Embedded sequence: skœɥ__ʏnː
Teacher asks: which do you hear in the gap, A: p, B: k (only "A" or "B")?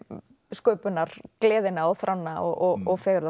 A